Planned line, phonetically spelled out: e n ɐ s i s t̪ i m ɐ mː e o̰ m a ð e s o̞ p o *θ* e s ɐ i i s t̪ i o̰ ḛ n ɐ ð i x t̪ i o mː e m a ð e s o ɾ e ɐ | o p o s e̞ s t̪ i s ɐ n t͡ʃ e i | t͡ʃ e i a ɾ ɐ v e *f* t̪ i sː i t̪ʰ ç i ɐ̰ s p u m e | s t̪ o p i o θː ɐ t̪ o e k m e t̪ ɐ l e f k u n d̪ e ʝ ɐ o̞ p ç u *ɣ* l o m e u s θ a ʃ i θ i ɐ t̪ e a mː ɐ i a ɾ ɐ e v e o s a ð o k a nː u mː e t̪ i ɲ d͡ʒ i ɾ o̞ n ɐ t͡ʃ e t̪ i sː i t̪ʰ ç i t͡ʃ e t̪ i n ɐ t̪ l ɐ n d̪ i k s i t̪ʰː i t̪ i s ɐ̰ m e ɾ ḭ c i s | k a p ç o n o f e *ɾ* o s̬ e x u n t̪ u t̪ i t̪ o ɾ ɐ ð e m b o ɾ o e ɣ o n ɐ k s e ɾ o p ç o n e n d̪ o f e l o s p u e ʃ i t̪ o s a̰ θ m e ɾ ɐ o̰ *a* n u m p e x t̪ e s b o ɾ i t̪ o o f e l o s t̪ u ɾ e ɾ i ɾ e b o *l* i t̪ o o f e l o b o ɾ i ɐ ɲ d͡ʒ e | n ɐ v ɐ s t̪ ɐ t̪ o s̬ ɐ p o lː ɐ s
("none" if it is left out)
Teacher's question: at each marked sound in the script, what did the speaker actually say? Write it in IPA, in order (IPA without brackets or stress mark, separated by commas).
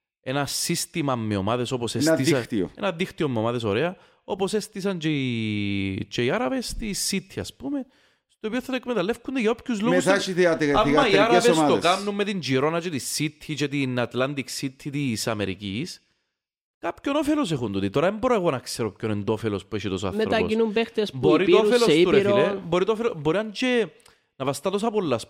s, s, z, l, i, ɾ